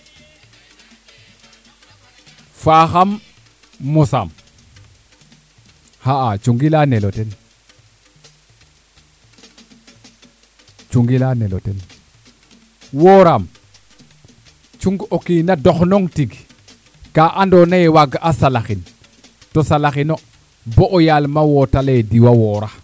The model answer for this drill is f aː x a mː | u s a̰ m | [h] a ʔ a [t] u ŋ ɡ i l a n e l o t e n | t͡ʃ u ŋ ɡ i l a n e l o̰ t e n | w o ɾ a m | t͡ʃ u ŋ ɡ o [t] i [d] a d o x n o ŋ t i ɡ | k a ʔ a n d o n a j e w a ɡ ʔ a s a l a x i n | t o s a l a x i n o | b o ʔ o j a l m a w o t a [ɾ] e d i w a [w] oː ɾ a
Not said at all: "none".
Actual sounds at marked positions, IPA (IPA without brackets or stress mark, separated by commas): h, t͡ʃ, k, n, l, w